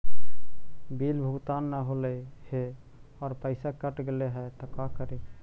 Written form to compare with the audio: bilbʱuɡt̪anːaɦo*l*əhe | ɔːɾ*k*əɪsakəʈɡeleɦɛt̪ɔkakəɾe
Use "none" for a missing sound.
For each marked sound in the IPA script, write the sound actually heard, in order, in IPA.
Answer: l, p

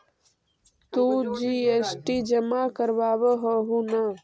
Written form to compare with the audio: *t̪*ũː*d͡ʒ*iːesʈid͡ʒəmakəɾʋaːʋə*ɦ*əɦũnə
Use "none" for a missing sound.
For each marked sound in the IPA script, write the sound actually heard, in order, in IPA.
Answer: t̪, d͡ʒ, ɦ

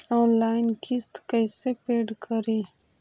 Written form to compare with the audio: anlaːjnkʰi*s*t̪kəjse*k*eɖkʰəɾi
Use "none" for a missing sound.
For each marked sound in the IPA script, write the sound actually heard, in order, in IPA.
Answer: s, p

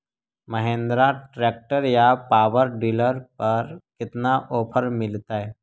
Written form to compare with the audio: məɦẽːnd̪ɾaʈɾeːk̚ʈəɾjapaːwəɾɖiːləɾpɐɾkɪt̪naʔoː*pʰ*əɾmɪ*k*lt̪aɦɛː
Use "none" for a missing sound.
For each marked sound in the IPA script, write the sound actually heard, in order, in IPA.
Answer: pʰ, none

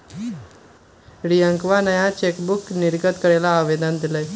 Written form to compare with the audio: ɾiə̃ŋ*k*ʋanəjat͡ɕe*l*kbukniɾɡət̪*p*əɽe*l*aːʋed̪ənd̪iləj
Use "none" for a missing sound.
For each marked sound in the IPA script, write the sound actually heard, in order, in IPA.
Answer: k, none, k, l

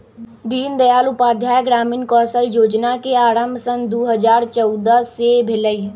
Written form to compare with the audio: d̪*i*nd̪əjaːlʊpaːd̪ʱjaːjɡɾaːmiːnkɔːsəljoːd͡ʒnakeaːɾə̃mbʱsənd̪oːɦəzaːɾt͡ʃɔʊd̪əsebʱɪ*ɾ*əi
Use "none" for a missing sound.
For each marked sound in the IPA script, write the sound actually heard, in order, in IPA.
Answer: iː, l

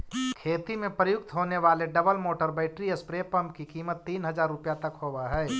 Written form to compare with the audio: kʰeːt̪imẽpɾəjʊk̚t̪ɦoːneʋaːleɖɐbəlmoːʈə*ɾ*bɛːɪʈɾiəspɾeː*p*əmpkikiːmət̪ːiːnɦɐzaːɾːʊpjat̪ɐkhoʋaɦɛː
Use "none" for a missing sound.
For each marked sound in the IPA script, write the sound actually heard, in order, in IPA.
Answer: ɾ, p

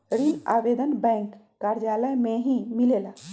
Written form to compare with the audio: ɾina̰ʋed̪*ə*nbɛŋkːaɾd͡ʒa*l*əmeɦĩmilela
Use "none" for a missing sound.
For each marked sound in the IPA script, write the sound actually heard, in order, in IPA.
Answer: ə, l

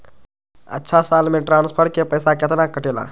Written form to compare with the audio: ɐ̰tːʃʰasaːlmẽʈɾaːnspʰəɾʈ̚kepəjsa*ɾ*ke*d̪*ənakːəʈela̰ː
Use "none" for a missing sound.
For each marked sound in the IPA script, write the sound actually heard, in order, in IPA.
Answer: none, t̪

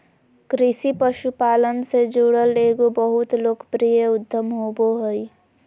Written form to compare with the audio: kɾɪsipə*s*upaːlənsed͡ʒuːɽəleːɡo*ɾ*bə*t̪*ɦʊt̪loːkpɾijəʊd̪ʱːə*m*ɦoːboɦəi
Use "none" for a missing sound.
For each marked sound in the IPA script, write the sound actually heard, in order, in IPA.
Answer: ʃ, none, none, m

